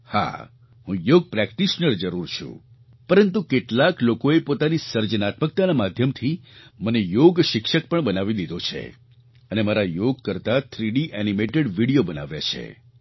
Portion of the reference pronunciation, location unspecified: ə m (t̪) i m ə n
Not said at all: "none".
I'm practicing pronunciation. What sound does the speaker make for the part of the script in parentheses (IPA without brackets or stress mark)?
t̪ʰ